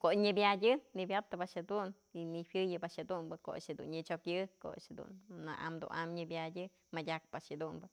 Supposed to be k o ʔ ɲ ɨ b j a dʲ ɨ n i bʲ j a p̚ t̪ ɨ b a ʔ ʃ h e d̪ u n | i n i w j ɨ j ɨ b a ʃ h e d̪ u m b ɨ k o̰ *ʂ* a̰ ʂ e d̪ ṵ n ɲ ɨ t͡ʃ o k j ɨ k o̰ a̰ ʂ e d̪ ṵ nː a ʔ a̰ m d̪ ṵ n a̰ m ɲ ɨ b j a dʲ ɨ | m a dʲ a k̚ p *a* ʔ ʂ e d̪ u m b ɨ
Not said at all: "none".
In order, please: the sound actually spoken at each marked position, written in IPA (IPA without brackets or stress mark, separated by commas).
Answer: none, a